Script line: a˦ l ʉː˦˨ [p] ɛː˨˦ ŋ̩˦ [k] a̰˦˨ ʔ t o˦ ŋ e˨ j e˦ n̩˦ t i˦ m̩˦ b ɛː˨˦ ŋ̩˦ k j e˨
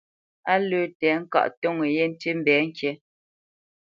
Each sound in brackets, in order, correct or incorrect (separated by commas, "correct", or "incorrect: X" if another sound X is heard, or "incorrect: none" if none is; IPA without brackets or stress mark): incorrect: t, correct